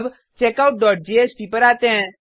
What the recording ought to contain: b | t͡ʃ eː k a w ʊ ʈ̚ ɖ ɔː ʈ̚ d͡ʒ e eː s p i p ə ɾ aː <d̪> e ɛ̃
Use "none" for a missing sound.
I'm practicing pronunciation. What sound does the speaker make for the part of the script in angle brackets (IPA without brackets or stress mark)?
t̪